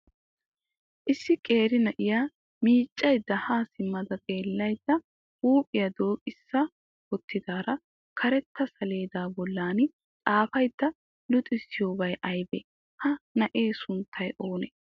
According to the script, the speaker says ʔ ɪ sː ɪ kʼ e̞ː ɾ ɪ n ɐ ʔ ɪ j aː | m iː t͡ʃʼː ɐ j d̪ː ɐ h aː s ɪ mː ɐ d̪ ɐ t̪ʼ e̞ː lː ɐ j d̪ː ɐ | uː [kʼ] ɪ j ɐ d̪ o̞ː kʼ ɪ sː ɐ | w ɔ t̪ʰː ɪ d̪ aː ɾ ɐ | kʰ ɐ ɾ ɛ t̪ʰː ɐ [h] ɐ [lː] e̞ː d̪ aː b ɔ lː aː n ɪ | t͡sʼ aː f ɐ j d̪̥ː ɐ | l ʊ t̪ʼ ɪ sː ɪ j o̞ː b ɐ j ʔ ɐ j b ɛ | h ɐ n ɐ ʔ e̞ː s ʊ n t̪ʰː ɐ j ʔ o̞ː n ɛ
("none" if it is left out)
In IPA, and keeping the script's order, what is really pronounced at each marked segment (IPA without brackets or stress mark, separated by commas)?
pʼ, s, l